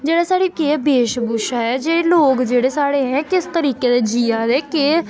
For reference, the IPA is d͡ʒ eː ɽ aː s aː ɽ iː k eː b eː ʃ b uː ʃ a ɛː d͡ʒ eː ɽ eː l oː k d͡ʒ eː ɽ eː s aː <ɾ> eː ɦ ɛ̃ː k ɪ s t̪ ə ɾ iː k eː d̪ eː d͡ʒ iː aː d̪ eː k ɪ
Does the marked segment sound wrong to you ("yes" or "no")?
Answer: yes